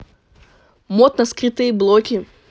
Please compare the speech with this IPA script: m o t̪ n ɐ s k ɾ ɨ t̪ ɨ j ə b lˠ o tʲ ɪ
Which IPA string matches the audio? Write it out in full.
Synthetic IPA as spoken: m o t̪ n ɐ s k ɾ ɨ t̪ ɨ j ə b lˠ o kʲ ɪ